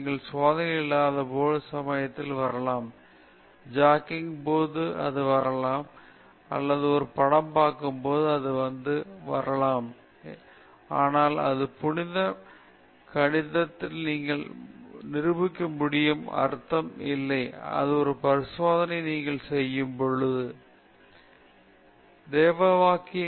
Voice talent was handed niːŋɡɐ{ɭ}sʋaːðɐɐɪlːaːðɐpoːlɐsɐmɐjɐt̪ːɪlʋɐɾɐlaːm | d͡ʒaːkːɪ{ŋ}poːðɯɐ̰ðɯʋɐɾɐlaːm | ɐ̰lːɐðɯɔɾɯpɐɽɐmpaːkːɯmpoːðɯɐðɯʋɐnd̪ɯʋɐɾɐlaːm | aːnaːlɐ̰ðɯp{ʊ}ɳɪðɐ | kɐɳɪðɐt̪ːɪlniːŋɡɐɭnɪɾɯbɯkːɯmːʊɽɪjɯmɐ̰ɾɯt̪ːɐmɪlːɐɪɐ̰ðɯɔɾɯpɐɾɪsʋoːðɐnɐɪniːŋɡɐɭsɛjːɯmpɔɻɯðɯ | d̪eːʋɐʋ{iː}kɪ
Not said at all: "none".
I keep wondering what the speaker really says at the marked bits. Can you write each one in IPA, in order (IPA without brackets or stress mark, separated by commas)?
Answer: ɭ, ŋ, ʊ, aː